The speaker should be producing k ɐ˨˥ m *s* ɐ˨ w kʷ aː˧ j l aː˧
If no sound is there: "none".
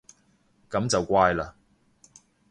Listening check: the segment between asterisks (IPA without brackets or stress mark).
t͡s